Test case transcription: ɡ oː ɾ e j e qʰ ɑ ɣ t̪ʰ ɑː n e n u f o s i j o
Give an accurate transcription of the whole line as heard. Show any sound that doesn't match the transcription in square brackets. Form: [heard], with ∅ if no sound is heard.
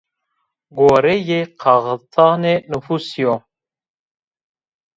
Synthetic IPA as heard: ɡ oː ɾ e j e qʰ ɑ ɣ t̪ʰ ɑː n e n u f [u] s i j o

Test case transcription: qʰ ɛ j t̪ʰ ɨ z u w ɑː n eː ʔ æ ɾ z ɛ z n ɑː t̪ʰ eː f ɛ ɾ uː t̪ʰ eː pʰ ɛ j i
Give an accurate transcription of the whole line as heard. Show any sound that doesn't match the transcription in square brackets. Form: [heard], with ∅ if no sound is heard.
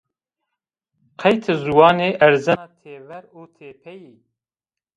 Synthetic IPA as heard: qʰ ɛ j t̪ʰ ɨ z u w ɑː n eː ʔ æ ɾ z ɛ [∅] n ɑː t̪ʰ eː [v] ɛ ɾ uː t̪ʰ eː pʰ ɛ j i

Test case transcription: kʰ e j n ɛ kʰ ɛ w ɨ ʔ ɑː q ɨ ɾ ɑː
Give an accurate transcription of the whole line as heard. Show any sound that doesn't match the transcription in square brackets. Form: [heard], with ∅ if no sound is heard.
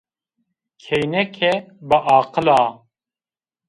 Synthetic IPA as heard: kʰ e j n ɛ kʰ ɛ [b] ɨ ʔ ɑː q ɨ [l] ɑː

